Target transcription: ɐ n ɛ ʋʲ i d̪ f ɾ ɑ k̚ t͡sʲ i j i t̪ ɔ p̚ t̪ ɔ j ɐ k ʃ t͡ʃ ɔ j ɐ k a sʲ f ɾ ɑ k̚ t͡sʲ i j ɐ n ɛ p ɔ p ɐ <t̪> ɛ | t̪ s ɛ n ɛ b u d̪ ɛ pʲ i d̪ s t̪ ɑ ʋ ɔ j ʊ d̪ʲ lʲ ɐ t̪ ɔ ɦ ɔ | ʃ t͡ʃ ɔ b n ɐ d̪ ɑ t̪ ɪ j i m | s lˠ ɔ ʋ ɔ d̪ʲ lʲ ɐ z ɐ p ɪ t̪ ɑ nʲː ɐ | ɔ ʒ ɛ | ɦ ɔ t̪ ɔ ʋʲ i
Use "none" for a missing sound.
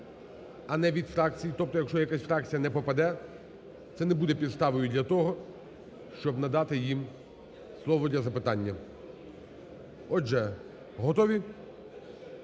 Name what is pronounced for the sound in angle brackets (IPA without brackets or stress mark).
d̪